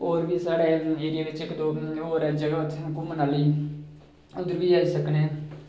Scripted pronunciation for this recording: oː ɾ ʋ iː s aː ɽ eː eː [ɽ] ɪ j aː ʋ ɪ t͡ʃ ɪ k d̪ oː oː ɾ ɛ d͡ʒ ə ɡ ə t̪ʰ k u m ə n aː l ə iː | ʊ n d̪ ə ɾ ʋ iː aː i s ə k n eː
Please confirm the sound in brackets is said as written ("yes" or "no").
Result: no